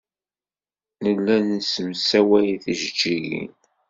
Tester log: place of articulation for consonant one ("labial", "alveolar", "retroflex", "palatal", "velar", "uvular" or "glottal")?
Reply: alveolar